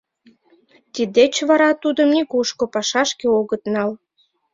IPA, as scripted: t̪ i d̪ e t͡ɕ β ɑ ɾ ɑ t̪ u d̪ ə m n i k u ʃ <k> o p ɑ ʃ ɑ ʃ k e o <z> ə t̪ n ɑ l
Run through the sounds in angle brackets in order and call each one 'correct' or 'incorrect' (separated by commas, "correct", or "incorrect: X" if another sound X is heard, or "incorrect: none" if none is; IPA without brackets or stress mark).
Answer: correct, incorrect: ɣ